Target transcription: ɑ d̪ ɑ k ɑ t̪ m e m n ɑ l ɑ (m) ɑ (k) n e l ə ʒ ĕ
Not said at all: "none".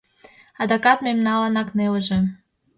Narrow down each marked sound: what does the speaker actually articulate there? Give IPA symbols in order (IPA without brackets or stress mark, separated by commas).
n, k